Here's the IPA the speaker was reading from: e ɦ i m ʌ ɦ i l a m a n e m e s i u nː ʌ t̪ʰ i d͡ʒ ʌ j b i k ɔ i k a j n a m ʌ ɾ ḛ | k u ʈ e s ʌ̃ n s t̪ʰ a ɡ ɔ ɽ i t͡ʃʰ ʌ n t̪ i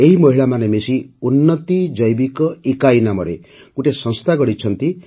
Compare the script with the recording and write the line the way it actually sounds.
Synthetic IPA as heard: e ɦ i m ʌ ɦ i ɭ a m a n e m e s i u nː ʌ t̪ i d͡ʒ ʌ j b i k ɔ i k a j n a m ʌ ɾ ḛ | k u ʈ e s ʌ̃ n s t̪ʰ a ɡ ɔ ɽ i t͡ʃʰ ʌ n t̪ i